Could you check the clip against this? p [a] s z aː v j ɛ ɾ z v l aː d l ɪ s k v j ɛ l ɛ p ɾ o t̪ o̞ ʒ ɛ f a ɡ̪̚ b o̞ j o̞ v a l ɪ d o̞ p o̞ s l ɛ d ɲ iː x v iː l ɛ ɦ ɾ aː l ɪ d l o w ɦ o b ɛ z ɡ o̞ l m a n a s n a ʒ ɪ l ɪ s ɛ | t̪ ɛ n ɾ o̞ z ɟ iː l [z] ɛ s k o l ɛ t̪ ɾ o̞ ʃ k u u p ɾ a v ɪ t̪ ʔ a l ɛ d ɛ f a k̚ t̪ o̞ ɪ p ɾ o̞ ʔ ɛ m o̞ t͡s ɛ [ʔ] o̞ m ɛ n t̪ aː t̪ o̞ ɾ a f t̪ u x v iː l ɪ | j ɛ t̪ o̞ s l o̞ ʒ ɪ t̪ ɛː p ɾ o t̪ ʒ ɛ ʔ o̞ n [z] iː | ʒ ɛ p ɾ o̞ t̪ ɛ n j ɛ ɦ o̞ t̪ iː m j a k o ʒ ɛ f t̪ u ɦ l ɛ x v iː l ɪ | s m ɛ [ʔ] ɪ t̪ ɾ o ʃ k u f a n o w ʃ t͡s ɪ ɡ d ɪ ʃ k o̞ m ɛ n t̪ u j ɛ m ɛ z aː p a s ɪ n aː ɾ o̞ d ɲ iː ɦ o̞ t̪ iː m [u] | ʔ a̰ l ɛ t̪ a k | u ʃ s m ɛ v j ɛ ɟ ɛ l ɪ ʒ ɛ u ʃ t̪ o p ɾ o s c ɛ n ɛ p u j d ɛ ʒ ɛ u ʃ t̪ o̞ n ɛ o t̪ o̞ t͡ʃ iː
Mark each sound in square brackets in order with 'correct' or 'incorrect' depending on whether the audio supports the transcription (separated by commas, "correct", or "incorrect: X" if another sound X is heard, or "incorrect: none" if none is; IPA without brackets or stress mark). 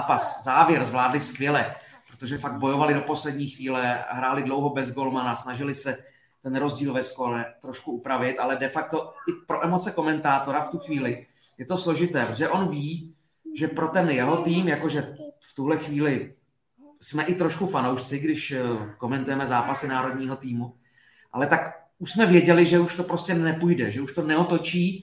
correct, incorrect: v, incorrect: k, incorrect: v, correct, correct